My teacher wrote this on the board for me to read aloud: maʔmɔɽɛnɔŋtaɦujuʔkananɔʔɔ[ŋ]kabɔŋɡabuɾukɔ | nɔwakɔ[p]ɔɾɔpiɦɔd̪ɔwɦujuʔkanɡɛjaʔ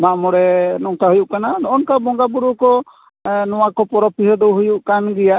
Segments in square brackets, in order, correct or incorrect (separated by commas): incorrect, correct